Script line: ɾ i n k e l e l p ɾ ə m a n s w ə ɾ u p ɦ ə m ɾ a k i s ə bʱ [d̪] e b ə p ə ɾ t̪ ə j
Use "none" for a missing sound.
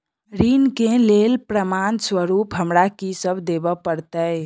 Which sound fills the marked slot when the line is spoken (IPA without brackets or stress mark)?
d̪